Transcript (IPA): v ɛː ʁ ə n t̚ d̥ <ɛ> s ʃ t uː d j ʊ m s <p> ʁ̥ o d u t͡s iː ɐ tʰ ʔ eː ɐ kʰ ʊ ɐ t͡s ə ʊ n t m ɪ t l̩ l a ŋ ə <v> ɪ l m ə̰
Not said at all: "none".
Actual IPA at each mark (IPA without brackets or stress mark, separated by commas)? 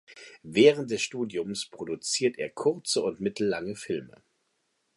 ɛ, p, f